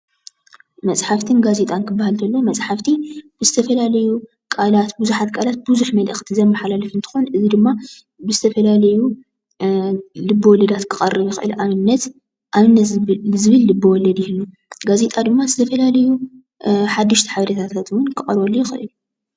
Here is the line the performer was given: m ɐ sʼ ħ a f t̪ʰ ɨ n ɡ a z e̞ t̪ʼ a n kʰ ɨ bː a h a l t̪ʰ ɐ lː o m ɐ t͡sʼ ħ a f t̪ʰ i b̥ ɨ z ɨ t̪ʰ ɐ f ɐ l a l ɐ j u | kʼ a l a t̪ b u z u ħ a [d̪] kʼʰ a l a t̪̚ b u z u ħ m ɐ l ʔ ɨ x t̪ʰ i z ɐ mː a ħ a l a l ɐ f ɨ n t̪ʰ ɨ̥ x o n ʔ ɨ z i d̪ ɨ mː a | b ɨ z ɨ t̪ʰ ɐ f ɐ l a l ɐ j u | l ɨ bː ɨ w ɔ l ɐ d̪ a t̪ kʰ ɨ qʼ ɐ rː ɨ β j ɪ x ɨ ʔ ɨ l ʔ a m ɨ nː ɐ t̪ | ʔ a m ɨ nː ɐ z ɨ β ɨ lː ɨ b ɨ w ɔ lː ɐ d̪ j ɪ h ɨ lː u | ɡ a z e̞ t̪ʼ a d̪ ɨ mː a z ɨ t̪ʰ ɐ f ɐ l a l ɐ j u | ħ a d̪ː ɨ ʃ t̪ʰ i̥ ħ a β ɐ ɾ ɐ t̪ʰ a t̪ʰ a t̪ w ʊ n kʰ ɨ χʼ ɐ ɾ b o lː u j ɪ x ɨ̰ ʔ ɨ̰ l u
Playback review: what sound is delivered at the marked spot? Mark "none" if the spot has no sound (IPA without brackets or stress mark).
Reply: t̪